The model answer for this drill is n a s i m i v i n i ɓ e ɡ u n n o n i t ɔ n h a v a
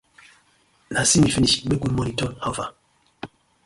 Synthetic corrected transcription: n a s i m i f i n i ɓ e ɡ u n m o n i t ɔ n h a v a